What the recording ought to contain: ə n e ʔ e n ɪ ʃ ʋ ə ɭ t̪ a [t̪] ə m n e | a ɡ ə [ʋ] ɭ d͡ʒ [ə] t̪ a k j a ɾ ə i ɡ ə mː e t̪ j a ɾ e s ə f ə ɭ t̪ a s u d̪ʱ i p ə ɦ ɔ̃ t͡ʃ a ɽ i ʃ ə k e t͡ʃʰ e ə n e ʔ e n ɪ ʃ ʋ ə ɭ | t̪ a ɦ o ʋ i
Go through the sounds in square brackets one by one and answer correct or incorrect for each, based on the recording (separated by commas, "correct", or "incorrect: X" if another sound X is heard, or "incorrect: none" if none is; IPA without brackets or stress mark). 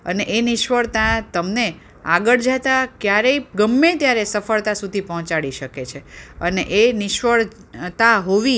correct, incorrect: none, incorrect: a